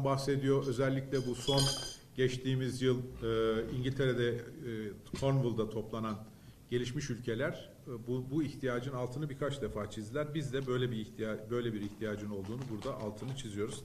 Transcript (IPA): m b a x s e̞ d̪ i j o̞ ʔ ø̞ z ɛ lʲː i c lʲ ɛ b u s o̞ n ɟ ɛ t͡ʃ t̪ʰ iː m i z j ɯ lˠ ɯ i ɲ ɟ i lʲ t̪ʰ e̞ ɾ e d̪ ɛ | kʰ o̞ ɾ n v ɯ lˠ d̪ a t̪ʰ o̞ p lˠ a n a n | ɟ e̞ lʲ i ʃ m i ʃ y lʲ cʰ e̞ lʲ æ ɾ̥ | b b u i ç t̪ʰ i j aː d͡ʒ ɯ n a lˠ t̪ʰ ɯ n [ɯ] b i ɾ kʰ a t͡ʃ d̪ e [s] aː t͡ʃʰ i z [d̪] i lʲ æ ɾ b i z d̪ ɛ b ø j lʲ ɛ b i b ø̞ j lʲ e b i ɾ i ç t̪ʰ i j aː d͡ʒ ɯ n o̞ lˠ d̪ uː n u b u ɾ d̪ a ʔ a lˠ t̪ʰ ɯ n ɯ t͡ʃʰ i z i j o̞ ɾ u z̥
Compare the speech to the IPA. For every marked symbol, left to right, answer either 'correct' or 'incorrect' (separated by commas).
correct, incorrect, correct